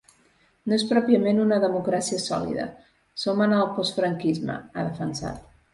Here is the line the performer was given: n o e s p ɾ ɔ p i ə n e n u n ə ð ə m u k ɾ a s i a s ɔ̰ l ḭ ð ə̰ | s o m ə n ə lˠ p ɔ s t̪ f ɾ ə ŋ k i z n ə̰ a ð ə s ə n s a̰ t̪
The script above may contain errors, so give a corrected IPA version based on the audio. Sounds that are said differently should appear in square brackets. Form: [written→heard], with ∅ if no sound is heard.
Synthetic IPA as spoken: n o e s p ɾ ɔ p i ə [n→m] e n u n ə ð ə m u k ɾ a s i [a→ə] s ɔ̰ l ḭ ð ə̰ | s o m ə n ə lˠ p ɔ s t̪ f ɾ ə ŋ k i z [n→m] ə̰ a ð ə [s→f] ə n s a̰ t̪